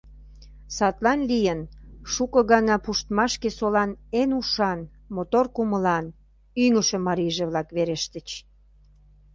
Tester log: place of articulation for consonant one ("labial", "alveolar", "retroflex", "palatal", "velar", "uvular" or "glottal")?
alveolar